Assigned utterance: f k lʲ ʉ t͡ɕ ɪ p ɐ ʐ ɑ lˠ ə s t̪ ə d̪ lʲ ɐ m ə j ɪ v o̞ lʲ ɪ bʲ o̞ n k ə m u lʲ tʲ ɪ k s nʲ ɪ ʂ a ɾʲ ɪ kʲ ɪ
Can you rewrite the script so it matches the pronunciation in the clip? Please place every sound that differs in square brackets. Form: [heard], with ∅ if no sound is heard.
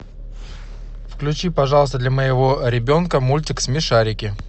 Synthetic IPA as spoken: f k lʲ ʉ t͡ɕ [i] p ɐ ʐ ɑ lˠ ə s t̪ ə d̪ lʲ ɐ m ə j ɪ v o̞ [ɾʲ] ɪ bʲ o̞ n k ə m u lʲ tʲ ɪ k s [mʲ] ɪ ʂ a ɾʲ ɪ kʲ ɪ